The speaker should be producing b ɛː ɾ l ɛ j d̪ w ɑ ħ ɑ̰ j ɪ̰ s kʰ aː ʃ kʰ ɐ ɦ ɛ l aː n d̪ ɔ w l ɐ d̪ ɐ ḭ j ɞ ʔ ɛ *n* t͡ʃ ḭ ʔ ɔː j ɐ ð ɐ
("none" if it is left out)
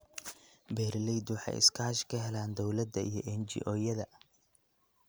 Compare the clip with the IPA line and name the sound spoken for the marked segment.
n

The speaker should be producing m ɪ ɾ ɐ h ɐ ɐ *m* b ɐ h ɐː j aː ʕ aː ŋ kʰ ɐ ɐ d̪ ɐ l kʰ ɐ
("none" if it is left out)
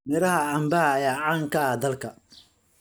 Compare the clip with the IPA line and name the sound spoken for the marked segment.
m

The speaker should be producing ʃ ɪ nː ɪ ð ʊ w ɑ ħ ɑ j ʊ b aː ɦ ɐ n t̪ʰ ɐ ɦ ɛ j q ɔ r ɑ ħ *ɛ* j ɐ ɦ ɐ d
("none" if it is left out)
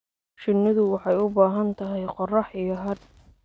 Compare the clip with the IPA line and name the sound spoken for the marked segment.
i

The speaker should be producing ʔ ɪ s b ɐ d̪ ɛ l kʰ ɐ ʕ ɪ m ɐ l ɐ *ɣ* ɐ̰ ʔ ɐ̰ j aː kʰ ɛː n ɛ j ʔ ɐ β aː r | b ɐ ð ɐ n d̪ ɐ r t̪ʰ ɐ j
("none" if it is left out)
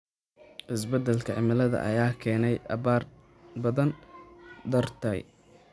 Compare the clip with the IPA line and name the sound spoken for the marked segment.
ð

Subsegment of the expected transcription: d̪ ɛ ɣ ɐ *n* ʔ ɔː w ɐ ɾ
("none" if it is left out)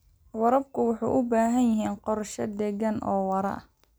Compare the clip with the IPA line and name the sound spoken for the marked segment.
n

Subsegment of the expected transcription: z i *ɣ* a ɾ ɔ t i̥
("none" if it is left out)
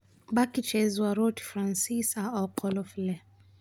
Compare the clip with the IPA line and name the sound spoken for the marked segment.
w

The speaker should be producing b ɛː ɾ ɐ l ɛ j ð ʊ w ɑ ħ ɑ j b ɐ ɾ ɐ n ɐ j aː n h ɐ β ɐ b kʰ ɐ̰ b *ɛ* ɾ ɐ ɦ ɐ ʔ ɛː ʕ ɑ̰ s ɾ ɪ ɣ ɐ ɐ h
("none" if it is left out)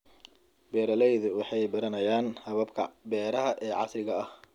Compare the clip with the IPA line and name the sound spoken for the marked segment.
ɛː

